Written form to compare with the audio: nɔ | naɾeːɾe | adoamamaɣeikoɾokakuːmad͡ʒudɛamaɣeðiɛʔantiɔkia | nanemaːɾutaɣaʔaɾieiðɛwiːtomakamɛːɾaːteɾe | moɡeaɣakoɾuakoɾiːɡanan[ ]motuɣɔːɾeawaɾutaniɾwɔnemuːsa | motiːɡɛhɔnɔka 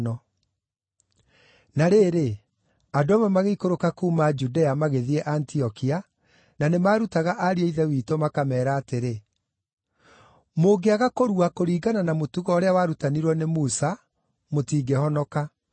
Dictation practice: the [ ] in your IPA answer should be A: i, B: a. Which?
B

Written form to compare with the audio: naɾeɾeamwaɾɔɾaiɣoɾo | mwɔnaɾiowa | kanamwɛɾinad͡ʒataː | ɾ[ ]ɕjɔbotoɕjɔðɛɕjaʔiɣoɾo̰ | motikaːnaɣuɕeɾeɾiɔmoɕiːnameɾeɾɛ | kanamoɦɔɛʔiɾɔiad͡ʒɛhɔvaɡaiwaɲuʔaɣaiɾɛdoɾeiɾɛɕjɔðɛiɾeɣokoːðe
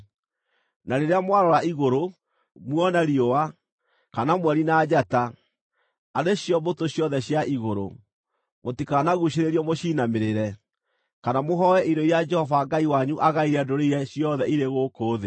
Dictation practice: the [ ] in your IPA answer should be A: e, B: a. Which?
A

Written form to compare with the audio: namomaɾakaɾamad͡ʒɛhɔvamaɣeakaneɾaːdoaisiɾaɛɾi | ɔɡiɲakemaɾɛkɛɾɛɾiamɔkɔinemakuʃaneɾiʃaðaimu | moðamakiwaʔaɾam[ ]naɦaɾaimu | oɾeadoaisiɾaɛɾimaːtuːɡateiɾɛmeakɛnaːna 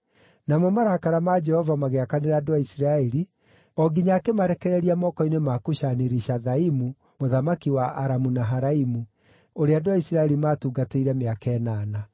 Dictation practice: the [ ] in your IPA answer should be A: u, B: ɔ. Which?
A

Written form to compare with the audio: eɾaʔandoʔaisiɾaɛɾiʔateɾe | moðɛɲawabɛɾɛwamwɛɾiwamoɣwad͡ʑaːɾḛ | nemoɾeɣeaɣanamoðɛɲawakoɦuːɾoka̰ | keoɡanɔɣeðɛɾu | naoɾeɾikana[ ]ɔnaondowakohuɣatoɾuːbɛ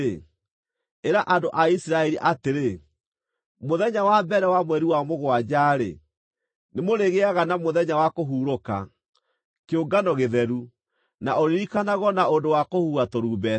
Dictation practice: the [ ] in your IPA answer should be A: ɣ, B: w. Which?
A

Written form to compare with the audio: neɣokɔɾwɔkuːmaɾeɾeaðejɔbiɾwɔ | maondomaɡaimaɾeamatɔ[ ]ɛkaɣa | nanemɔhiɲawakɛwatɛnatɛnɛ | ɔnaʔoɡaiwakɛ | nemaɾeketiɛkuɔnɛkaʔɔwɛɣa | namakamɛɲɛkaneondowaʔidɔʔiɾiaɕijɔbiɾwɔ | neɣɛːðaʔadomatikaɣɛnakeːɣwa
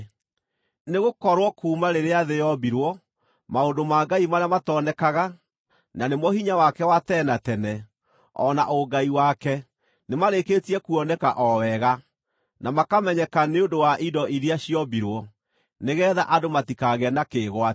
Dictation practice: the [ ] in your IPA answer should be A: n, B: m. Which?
A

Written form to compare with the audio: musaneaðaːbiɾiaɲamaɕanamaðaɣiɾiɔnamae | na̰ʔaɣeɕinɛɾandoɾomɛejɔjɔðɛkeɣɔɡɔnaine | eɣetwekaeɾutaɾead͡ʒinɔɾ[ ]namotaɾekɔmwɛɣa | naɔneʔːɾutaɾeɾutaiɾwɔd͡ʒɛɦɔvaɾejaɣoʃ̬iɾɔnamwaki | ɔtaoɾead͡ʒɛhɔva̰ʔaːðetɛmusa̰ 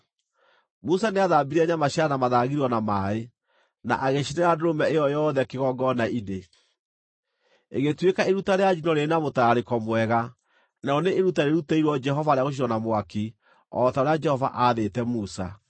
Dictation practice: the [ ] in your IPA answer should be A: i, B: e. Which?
B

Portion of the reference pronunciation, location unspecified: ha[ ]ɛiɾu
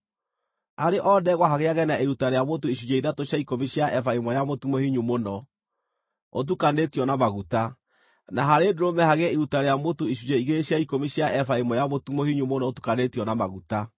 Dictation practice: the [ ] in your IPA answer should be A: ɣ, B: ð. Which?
A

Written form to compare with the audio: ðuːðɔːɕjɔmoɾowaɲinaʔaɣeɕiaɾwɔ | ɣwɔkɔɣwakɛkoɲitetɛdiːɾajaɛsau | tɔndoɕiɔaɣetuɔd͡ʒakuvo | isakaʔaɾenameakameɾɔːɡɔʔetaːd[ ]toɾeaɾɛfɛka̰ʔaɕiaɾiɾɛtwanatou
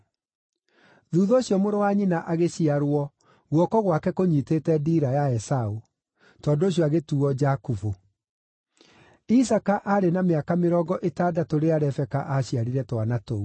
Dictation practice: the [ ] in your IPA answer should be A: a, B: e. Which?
A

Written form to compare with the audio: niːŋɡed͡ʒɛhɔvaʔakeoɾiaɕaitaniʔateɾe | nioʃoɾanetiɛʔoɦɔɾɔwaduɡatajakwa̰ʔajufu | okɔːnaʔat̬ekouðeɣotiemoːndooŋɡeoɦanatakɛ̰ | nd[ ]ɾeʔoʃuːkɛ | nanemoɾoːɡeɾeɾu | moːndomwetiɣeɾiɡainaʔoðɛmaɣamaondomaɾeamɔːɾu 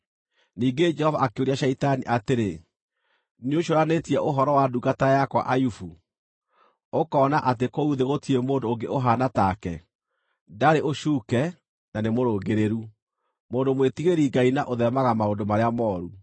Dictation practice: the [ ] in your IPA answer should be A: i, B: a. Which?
B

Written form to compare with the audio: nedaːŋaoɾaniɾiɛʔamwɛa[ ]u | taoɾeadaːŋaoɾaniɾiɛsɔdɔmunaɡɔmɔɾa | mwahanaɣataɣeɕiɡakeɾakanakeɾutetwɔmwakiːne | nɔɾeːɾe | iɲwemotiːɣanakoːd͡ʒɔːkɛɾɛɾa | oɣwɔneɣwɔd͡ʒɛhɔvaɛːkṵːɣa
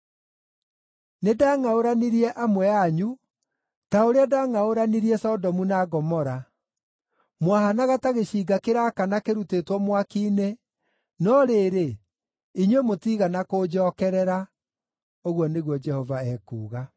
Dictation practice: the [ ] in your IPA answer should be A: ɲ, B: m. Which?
A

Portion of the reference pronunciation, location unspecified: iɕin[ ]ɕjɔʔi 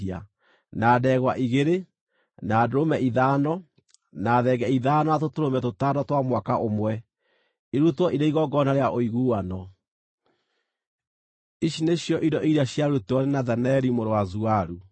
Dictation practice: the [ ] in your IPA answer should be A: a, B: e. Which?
B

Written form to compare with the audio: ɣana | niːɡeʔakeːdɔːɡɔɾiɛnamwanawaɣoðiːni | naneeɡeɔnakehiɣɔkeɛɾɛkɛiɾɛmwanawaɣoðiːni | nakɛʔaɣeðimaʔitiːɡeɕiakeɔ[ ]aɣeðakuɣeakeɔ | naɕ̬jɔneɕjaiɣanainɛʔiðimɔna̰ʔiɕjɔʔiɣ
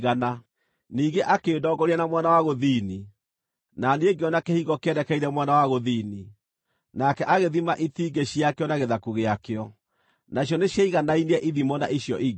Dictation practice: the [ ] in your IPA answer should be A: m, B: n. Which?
B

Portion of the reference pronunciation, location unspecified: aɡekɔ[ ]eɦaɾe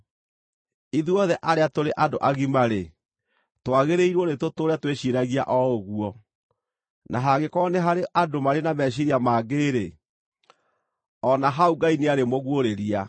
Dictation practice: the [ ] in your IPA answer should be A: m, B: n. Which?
B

